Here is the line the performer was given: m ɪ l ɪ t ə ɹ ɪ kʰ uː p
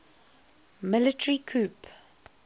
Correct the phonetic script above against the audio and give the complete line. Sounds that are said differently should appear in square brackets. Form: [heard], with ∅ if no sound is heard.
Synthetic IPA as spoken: m ɪ l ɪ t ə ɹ [i] kʰ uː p